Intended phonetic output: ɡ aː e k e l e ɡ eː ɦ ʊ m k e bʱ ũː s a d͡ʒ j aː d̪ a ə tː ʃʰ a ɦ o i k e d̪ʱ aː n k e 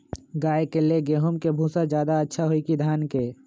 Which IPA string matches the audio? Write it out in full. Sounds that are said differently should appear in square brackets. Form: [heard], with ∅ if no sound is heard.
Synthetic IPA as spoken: ɡ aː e k e l e ɡ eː ɦ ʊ m k e bʱ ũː s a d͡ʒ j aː d̪ a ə tː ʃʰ a ɦ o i k [i] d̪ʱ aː n k e